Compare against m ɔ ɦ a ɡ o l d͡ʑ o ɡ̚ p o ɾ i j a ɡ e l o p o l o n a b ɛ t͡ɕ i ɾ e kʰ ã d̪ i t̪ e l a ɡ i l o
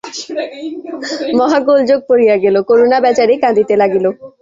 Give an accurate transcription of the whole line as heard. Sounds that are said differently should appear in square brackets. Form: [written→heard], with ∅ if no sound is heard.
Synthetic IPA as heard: m ɔ ɦ a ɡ o l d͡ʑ o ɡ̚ p o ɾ i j a ɡ e l o [p→k] o [l→ɾ] o n a b ɛ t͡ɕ [i→a] ɾ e [kʰ→k] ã d̪ i t̪ e l a ɡ i l o